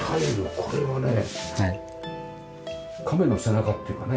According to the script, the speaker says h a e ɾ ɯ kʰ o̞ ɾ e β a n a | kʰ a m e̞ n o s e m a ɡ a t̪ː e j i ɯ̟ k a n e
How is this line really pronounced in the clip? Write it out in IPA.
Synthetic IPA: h a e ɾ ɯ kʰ o̞ ɾ e β a n e | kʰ a m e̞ n o s e n a k a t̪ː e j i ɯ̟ k a n e